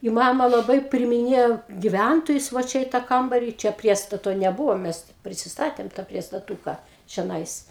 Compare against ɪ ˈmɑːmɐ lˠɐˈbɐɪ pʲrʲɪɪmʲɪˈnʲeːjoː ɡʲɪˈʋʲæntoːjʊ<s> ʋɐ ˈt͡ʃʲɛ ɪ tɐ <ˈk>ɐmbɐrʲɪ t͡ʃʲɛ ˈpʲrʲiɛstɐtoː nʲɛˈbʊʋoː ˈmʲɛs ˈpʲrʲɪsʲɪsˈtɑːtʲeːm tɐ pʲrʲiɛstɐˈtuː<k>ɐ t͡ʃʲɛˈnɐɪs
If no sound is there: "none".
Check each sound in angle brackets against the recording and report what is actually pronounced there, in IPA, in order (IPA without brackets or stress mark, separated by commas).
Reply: s, k, k